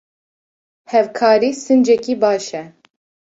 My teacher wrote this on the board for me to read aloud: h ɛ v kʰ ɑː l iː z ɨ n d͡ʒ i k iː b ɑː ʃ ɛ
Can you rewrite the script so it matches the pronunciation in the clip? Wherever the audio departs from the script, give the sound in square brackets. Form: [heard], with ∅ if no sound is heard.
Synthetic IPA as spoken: h ɛ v kʰ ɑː [ɾ] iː [s] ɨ n d͡ʒ [ɛ] k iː b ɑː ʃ ɛ